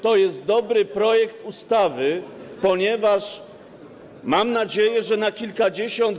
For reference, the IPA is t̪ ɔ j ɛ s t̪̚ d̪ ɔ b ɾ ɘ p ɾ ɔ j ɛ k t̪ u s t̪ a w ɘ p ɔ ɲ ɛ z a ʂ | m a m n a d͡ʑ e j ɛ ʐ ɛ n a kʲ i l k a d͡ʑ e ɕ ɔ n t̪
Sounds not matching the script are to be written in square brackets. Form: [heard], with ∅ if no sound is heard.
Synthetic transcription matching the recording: t̪ ɔ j ɛ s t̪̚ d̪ ɔ b ɾ ɘ p ɾ ɔ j ɛ k t̪ u s t̪ a [v] ɘ p ɔ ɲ ɛ [v] a ʂ | m a m n a d͡ʑ e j ɛ ʐ ɛ n a kʲ i l k a d͡ʑ e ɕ ɔ n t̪